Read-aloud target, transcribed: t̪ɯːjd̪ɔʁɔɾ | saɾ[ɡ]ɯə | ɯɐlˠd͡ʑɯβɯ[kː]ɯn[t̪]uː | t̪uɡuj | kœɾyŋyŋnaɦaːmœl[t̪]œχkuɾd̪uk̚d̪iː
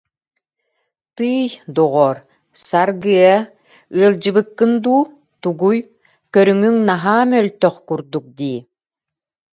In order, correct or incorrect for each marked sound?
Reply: correct, correct, incorrect: d̪, correct

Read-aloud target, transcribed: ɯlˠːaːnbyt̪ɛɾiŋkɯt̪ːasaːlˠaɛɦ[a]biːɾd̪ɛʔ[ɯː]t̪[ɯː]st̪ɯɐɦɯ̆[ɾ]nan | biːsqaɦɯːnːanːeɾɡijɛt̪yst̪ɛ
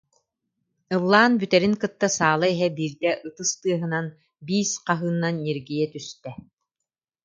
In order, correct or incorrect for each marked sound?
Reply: incorrect: ɛ, incorrect: ɯ, incorrect: ɯ, incorrect: none

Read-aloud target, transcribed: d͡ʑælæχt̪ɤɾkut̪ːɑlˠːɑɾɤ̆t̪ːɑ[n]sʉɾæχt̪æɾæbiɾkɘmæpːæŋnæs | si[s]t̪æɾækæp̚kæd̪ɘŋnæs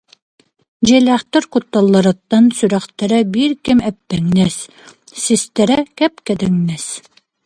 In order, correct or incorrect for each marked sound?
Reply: correct, correct

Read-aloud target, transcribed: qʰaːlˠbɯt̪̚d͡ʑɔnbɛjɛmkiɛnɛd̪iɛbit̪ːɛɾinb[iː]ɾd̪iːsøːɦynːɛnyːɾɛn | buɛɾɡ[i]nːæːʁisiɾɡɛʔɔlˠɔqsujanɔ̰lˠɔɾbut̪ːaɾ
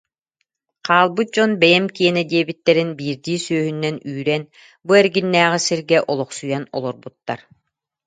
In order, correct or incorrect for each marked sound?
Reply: correct, correct

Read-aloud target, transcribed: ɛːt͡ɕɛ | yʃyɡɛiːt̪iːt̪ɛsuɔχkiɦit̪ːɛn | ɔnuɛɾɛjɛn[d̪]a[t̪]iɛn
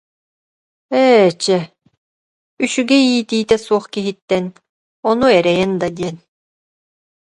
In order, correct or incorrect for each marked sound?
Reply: correct, incorrect: d̪

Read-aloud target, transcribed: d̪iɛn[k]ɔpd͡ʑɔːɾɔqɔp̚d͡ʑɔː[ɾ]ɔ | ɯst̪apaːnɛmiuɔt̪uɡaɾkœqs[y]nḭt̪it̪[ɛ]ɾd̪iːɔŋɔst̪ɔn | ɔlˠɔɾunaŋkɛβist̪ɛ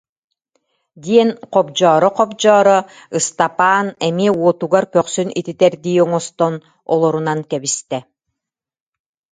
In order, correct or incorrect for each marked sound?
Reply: incorrect: q, correct, correct, correct

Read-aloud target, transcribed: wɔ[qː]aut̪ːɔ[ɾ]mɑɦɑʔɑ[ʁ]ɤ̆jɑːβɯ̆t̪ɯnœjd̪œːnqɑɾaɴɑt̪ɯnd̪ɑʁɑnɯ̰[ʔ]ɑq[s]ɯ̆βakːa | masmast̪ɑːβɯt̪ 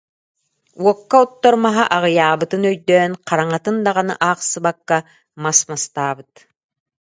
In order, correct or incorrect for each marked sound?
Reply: incorrect: kː, correct, correct, correct, correct

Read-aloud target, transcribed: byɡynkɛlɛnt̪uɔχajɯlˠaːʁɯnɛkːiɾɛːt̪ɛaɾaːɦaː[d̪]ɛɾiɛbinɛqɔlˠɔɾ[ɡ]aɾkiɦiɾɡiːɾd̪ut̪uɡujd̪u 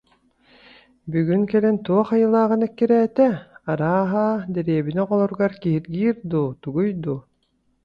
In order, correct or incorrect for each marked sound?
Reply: correct, correct

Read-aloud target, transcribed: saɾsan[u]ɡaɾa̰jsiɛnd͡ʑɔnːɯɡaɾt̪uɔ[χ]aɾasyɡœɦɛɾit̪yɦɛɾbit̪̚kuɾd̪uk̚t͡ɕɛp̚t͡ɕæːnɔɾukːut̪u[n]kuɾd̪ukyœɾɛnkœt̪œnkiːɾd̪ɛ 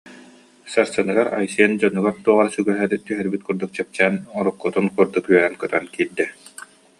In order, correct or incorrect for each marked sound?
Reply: incorrect: ɯ, incorrect: ʁ, correct

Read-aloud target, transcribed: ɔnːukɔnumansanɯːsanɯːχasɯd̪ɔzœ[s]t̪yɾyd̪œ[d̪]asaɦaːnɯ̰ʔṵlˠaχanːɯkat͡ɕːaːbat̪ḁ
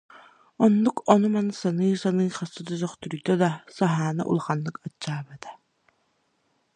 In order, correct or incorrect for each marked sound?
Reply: incorrect: χ, correct

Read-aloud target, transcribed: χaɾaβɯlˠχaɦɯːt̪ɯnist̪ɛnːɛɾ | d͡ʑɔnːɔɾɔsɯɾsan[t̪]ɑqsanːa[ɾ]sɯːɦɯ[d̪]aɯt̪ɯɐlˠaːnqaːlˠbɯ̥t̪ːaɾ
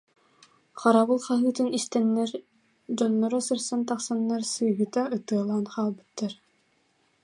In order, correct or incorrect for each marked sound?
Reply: correct, correct, incorrect: t̪

